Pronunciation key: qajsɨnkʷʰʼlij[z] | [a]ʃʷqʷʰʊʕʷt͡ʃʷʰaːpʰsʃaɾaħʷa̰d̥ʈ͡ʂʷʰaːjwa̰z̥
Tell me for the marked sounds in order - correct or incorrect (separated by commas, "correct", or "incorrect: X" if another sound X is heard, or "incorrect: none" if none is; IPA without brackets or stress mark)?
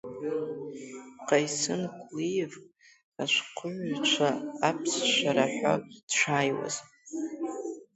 incorrect: v, correct